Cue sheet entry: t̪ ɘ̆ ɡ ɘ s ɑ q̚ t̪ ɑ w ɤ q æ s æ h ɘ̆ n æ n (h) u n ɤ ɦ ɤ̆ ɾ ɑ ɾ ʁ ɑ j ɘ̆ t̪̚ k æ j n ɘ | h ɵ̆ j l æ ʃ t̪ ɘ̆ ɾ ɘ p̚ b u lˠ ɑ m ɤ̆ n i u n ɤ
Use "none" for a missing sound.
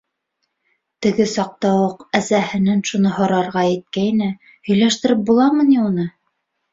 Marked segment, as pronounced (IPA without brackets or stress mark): ʃ